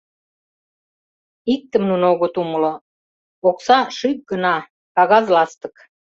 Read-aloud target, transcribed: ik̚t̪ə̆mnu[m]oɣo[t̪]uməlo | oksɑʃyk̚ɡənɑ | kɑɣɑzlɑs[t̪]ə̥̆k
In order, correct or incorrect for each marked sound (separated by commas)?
incorrect, correct, correct